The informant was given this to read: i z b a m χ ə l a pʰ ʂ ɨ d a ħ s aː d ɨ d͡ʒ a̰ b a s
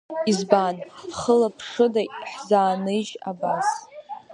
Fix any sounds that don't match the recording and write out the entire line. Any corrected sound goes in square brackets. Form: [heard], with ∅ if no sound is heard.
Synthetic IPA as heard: i z b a [n] χ ə l a pʰ ʂ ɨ d a ħ [z] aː [n] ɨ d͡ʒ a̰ b a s